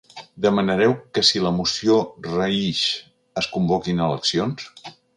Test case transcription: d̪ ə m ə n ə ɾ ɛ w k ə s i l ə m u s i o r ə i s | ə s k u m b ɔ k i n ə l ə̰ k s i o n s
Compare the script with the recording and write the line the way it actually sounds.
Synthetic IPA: d̪ ə m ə n ə ɾ ɛ w k ə s i l ə m u s i o r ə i ʃ | ə s k u m b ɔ k i n ə l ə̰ k s i o n s